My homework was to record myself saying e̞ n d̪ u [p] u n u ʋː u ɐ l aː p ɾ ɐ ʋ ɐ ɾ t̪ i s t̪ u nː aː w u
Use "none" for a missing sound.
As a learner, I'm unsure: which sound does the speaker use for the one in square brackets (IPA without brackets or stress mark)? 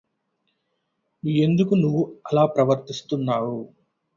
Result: k